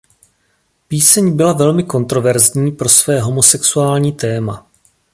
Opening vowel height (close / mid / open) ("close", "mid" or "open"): close